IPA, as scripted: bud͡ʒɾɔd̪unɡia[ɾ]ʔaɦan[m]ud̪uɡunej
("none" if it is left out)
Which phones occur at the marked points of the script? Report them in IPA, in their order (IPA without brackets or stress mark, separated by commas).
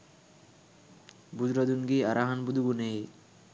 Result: ɾ, b